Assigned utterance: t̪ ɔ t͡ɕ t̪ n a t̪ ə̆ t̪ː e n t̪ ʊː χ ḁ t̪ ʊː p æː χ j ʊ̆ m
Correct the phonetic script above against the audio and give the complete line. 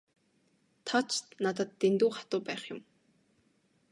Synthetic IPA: t̪ʰ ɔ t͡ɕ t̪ n a t̪ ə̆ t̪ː e n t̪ uː χ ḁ t̪ ʊː p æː χ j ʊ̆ m